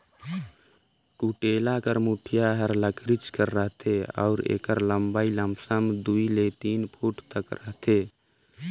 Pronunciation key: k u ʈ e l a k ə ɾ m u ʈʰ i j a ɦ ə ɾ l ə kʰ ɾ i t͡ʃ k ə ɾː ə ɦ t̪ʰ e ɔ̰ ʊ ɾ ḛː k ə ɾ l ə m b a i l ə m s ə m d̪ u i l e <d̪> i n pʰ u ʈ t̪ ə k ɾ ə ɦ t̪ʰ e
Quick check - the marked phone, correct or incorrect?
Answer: incorrect